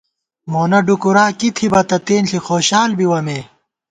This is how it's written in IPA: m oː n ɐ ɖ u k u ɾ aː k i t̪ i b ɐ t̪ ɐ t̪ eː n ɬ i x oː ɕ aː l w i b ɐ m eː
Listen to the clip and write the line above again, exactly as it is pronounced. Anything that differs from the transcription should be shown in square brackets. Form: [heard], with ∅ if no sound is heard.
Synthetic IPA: m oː n ɐ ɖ u k u ɾ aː k i [t̪ʰ] i b ɐ t̪ ɐ t̪ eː n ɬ i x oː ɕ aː l [b] i [w] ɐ m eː